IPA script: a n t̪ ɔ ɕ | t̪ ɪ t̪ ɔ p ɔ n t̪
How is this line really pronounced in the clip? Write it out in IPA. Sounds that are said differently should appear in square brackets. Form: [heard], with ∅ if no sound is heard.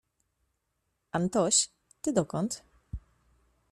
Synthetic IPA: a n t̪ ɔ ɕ | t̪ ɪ [d̪] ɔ [k] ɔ n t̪

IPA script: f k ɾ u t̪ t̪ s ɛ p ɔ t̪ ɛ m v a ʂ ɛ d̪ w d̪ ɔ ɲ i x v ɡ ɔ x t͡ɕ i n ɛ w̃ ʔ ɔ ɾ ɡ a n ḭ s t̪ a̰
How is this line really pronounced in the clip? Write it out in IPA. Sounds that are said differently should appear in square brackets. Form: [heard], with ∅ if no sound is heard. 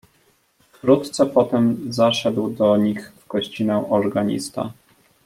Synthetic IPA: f k ɾ u t̪ t̪ s ɛ p ɔ t̪ ɛ m [z] a ʂ ɛ d̪ w d̪ ɔ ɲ i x v ɡ ɔ [ɕ] t͡ɕ i n ɛ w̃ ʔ ɔ ɾ ɡ a [ɲ] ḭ s t̪ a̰

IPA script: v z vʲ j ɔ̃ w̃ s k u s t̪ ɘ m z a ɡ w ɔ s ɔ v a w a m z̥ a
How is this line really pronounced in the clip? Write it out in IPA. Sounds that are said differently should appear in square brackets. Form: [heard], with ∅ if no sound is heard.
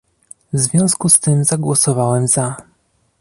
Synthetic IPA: v z vʲ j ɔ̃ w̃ s k u s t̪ ɘ m z a ɡ w ɔ s ɔ v a w [ɛ] m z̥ a

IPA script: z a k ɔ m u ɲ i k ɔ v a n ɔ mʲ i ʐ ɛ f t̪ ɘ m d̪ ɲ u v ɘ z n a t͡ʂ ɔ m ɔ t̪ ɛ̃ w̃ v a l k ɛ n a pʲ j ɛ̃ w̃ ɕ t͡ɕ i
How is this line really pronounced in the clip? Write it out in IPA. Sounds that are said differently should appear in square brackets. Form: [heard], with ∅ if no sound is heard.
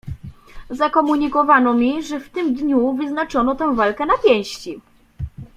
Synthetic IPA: z a k ɔ m u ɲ i k ɔ v a n ɔ mʲ i ʐ ɛ f t̪ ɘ m d̪ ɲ u v ɘ z n a t͡ʂ ɔ [n] ɔ t̪ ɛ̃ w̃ v a l k ɛ n a pʲ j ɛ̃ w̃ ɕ t͡ɕ i

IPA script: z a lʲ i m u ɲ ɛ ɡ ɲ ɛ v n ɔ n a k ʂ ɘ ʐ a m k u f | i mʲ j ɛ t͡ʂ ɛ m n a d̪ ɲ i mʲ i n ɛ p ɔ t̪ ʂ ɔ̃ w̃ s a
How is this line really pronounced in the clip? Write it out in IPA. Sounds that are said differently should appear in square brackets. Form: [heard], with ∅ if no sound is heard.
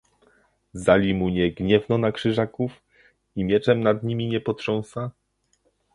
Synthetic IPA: z a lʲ i m u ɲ ɛ ɡ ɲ ɛ v n ɔ n a k ʂ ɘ ʐ a [∅] k u f | i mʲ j ɛ t͡ʂ ɛ m n a d̪ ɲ i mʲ i [ɲ] ɛ p ɔ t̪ ʂ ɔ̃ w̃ s a

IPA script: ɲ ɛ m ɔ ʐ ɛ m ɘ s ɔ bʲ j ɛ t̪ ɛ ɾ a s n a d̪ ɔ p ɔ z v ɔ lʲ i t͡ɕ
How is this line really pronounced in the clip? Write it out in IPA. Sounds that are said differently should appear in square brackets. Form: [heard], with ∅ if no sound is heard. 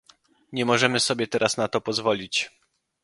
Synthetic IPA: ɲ ɛ m ɔ ʐ ɛ m ɘ s ɔ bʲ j ɛ t̪ ɛ ɾ a s n a [t̪] ɔ p ɔ z v ɔ lʲ i t͡ɕ

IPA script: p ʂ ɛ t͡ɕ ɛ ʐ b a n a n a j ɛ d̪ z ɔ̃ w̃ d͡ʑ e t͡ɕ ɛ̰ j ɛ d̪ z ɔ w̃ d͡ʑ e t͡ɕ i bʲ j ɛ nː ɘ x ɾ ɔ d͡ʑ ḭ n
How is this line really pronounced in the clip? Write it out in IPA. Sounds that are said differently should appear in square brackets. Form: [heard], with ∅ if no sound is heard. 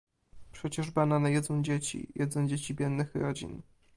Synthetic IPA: p ʂ ɛ t͡ɕ ɛ ʐ b a n a n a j ɛ d̪ z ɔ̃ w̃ d͡ʑ e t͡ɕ [ḭ] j ɛ d̪ z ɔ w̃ d͡ʑ e t͡ɕ i bʲ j ɛ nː ɘ x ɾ ɔ d͡ʑ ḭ n

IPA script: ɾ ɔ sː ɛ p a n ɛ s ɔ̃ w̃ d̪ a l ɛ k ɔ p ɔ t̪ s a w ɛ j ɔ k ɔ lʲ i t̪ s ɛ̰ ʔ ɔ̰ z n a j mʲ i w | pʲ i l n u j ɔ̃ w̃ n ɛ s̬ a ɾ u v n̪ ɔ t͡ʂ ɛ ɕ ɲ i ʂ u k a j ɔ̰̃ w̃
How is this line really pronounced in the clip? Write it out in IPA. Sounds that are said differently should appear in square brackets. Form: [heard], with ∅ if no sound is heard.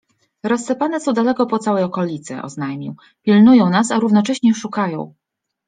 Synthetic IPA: ɾ ɔ sː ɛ p a n ɛ s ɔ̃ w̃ d̪ a l ɛ k ɔ p ɔ t̪ s a w ɛ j ɔ k ɔ lʲ i t̪ s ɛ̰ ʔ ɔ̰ z n a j mʲ i w | pʲ i l n u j ɔ̃ w̃ n [a] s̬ a ɾ u v n̪ ɔ t͡ʂ ɛ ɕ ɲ [ɛ] ʂ u k a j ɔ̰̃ w̃

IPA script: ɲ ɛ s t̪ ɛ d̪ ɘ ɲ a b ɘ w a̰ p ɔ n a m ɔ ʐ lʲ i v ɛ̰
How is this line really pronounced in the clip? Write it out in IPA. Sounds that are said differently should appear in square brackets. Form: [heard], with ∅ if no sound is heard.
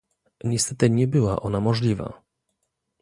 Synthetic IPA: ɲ ɛ s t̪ ɛ [t̪] ɘ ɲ [ɛ] b ɘ w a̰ [ʔ] ɔ n a m ɔ ʐ lʲ i v [a̰]

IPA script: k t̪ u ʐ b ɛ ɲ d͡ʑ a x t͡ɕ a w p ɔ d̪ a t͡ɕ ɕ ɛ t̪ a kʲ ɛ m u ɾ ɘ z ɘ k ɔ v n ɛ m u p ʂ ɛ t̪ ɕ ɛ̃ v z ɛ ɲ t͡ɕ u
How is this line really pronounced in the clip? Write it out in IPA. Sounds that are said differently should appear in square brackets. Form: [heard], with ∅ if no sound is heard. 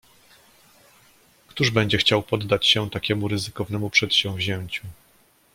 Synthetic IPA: k t̪ u ʐ b ɛ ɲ d͡ʑ [ɛ] x t͡ɕ a w p ɔ [d̪ː] a t͡ɕ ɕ ɛ t̪ a kʲ ɛ m u ɾ ɘ z ɘ k ɔ v n ɛ m u p ʂ ɛ t̪ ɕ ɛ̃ v [ʑ] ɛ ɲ t͡ɕ u

